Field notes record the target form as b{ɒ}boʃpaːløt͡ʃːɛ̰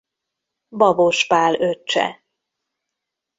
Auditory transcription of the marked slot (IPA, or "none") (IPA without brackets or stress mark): ɒ